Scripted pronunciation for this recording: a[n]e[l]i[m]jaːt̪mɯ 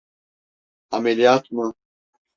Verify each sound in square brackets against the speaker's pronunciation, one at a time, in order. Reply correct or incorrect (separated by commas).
incorrect, correct, incorrect